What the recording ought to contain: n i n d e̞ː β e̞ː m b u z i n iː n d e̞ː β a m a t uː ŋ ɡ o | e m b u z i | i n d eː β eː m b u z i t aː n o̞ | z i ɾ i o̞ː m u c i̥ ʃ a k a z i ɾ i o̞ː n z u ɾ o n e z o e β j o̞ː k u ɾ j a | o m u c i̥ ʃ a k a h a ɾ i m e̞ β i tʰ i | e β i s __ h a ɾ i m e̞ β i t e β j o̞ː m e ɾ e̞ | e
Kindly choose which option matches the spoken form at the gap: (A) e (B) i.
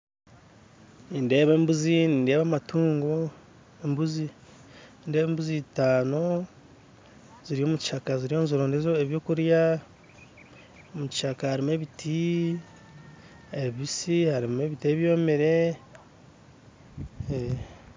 B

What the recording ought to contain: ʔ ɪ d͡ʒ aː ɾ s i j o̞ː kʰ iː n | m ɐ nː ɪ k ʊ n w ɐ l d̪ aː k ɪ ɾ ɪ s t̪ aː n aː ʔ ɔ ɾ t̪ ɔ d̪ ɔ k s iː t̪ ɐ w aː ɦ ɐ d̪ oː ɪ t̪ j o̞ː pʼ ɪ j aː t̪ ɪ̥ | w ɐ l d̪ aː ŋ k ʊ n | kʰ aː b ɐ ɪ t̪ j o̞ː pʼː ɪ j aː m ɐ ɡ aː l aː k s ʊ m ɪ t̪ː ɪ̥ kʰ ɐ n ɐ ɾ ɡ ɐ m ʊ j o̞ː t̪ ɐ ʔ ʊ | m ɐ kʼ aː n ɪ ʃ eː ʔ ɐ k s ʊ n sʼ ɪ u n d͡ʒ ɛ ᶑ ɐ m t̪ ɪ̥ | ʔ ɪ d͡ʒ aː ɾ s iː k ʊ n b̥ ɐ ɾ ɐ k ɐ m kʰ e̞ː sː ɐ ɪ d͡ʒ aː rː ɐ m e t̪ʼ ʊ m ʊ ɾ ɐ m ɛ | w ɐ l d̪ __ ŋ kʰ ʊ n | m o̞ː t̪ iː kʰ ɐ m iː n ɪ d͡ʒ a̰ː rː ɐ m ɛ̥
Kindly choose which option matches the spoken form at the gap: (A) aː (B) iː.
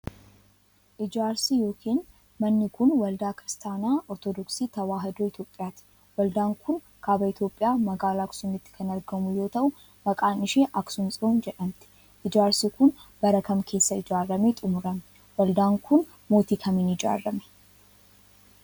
A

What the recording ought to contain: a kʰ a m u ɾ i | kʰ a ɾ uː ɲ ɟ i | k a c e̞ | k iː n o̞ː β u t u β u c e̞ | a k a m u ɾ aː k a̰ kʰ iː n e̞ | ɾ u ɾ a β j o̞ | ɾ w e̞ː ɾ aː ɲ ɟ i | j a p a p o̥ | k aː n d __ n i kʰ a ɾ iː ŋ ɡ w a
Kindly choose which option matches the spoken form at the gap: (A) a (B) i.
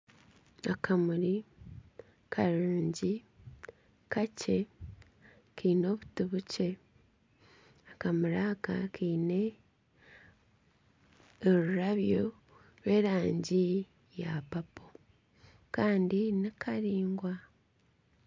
B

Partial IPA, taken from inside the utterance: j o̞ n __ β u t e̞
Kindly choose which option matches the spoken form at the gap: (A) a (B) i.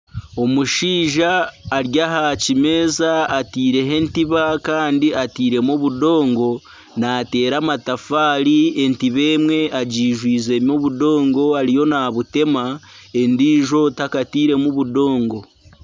A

